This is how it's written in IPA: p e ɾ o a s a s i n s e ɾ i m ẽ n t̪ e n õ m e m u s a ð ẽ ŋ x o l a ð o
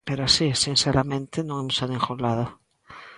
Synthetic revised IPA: p e ɾ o a s i s i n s e ɾ a m ẽ n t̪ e n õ ŋ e m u s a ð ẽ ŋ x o l a ð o